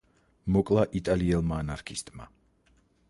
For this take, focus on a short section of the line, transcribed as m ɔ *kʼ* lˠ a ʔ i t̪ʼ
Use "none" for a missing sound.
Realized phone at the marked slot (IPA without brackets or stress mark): kʼ